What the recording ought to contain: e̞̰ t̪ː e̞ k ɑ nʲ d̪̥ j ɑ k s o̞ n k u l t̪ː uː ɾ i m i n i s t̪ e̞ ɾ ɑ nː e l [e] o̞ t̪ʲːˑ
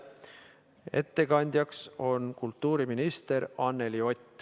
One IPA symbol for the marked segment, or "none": i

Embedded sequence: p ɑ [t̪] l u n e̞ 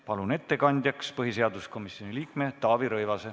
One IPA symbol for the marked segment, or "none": none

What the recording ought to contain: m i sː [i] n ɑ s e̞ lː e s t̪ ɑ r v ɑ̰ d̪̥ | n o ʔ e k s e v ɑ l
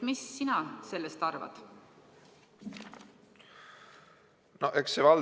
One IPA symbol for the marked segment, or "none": i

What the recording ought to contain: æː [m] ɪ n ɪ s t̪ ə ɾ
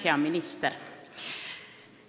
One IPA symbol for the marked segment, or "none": m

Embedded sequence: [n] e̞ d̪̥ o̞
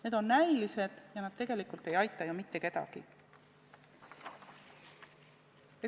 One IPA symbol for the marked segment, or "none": n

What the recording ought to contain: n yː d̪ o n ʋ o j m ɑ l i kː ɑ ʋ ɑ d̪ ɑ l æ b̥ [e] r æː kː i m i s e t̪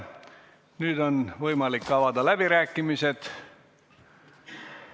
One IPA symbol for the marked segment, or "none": i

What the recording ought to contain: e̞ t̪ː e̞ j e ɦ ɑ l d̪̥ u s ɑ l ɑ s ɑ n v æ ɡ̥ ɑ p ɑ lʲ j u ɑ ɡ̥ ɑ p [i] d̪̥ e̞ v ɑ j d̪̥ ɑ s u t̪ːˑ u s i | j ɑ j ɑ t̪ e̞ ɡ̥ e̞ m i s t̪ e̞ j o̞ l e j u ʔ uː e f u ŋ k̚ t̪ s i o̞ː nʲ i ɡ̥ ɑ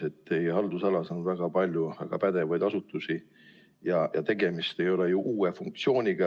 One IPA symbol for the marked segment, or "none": æ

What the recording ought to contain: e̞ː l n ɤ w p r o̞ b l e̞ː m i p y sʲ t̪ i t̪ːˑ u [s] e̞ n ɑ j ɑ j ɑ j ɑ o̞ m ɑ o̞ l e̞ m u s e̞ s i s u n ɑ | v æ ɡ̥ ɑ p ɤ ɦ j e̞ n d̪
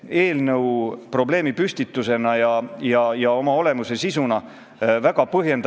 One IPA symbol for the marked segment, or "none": s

